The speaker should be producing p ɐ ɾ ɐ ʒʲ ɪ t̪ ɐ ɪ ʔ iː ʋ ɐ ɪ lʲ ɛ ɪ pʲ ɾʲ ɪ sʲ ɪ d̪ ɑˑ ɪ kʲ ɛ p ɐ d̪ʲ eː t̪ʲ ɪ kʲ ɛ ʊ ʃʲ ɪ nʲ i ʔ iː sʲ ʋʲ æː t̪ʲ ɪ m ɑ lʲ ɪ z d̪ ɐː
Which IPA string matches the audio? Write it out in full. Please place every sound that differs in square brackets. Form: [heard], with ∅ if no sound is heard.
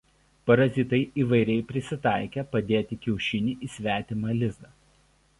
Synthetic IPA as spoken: p ɐ ɾ ɐ [zʲ] ɪ t̪ ɐ ɪ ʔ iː ʋ ɐ ɪ [ɾʲ] ɛ ɪ pʲ ɾʲ ɪ sʲ ɪ [t̪] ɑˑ ɪ kʲ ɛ p ɐ d̪ʲ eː t̪ʲ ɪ kʲ ɛ ʊ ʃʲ ɪ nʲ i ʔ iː sʲ ʋʲ æː t̪ʲ ɪ m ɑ lʲ ɪ z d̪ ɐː